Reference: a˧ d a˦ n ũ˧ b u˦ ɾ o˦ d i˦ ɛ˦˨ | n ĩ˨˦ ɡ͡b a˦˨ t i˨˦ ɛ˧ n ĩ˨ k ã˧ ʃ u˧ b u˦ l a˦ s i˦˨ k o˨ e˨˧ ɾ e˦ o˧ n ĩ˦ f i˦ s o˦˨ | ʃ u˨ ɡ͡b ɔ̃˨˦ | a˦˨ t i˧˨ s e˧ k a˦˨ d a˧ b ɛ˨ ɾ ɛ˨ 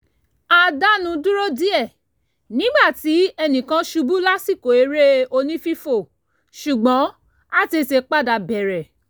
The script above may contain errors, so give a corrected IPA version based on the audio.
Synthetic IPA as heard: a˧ d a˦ n ũ˧ d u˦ ɾ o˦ d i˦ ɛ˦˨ | n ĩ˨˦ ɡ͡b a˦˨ t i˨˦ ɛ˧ n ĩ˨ k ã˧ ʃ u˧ b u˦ l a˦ s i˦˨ k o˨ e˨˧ ɾ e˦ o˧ n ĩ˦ f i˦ f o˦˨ | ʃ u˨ ɡ͡b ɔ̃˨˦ | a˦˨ t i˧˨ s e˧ k͡p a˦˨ d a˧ b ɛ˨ ɾ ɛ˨

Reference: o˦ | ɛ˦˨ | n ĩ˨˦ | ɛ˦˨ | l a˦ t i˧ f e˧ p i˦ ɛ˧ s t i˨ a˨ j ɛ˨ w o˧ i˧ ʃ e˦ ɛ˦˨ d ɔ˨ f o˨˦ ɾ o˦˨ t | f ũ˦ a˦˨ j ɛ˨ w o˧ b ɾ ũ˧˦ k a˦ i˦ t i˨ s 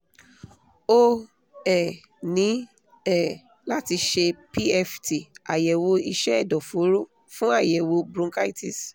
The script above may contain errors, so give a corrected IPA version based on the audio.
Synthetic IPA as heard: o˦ | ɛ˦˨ | n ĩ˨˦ | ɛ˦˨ | l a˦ t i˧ ʃ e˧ p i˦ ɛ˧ f t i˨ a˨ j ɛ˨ w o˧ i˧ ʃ ɛ˦ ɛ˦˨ d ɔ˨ f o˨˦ ɾ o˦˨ | f ũ˦ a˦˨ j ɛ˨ w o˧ b ɾ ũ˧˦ k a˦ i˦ t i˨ s

